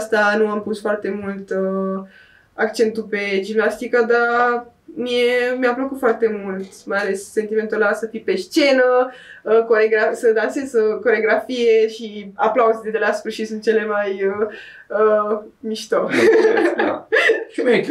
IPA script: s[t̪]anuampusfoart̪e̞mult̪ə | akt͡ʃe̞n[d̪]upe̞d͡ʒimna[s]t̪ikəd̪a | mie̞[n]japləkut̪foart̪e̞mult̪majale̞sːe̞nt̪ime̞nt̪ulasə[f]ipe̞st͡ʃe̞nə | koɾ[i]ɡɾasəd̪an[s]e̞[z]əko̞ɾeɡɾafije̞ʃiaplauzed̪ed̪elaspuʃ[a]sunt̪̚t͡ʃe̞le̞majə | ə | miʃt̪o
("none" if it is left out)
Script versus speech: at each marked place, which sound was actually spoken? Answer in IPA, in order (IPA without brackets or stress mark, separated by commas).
t̪, t̪, s, m, f, e, s, z, i